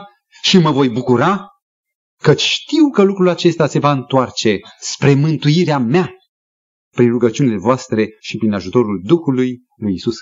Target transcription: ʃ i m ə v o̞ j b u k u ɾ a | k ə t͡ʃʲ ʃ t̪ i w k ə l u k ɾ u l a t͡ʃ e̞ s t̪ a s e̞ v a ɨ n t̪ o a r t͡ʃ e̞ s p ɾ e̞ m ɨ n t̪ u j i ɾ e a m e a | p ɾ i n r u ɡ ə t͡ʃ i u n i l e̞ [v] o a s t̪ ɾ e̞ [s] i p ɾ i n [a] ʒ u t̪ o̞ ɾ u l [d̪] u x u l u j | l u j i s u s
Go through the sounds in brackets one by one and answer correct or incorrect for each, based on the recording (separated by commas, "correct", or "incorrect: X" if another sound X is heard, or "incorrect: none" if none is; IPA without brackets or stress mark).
correct, incorrect: ʃ, correct, correct